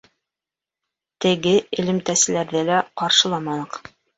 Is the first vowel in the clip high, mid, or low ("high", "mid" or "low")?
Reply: mid